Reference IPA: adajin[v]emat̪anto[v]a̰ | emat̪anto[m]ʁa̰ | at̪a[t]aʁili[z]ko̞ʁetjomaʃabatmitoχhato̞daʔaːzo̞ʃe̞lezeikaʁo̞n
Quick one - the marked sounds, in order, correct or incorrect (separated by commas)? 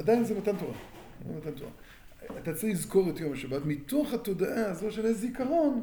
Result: incorrect, incorrect, incorrect, incorrect, correct